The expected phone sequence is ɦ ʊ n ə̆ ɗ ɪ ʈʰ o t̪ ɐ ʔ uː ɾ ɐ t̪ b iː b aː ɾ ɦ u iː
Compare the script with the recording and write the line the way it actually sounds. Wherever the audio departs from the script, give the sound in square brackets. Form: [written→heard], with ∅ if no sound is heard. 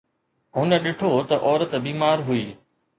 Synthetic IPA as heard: ɦ ʊ n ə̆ ɗ ɪ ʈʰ o t̪ ɐ ʔ [uː→ɔː] ɾ [ɐ→ə] t̪ b iː [b→m] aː ɾ ɦ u iː